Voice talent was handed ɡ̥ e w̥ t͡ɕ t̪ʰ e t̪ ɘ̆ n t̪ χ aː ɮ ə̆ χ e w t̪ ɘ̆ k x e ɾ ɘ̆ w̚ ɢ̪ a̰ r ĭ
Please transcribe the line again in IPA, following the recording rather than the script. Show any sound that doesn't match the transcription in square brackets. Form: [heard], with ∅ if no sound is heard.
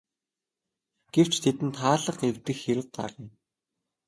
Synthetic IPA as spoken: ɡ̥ e w̥ t͡ɕ t̪ʰ e t̪ ɘ̆ n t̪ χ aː ɮ ə̆ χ e w t̪ ɘ̆ [x] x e ɾ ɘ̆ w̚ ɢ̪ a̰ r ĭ

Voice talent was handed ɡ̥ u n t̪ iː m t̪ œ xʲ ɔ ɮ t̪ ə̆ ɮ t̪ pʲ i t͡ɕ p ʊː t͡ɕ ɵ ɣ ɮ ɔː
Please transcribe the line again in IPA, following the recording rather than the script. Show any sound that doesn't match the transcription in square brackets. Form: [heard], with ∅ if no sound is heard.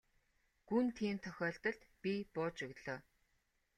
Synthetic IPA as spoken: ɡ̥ u n [t̪ʰ] iː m [t̪ʰ] œ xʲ [ɔː] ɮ t̪ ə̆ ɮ t̪ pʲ i [∅] p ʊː t͡ɕ ɵ ɣ ɮ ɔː

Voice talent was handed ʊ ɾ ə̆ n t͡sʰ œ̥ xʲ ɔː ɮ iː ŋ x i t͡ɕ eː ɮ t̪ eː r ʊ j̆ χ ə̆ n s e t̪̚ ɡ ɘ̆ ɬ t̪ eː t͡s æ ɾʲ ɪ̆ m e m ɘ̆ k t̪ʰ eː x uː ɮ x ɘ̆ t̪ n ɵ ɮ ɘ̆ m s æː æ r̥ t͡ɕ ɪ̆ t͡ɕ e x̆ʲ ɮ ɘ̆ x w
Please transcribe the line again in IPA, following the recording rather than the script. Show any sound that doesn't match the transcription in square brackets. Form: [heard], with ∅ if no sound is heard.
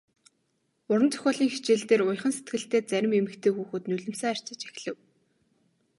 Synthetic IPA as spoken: ʊ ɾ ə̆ n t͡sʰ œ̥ xʲ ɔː ɮ iː ŋ x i t͡ɕ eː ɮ t̪ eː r ʊ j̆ χ ə̆ n s e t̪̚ ɡ ɘ̆ ɬ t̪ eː t͡s æ ɾʲ ɪ̆ m e m ɘ̆ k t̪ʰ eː x uː [∅] x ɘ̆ t̪ n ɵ ɮ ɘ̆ m s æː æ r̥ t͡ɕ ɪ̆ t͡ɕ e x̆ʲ ɮ ɘ̆ [∅] w

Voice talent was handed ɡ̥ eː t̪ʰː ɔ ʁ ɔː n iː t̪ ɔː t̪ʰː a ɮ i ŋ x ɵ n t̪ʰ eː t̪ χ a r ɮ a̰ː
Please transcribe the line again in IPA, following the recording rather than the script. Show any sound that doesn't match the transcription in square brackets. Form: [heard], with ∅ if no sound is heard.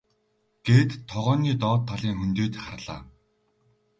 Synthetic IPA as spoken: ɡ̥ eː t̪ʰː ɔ ʁ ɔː n iː t̪ ɔː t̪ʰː a ɮ [iː] ŋ x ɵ n [t̪] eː t̪ χ a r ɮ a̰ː

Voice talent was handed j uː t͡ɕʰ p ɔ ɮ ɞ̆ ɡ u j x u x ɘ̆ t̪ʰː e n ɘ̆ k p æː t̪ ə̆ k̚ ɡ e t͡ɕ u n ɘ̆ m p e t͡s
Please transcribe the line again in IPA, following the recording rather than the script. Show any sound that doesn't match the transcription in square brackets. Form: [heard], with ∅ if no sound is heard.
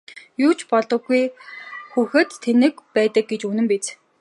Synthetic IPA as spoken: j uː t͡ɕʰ p ɔ ɮ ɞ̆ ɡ u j x u x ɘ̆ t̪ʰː e n ɘ̆ k p æː t̪ ə̆ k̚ ɡ e t͡ɕ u n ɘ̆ m p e t͡s

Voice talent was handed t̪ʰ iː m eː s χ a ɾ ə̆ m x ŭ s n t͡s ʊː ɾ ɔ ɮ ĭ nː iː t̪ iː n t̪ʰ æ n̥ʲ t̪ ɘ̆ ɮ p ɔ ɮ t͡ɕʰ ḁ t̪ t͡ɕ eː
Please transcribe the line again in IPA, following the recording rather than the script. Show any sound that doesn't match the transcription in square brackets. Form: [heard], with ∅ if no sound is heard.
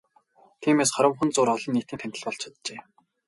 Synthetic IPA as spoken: t̪ʰ iː m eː s χ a ɾ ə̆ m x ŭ [∅] n t͡s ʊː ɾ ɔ ɮ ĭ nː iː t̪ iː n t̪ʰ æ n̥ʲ t̪ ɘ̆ ɮ p ɔ ɮ t͡ɕʰ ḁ t̪ t͡ɕ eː

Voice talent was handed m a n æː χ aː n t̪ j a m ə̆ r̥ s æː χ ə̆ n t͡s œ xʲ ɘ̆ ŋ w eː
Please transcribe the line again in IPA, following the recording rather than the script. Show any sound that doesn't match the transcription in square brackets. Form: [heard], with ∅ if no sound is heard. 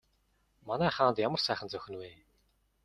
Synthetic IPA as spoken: m a n æː χ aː n t̪ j a m ə̆ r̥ s æː χ ə̆ n t͡s œ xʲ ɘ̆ [n] w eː

